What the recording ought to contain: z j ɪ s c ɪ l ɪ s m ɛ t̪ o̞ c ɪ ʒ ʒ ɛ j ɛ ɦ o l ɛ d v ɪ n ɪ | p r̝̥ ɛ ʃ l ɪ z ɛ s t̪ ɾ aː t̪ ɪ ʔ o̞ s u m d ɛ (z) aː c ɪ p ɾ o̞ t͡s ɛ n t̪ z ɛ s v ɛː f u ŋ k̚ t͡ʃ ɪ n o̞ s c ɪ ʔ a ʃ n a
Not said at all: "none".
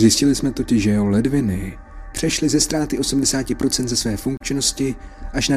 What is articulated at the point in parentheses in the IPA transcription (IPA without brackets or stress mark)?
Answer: s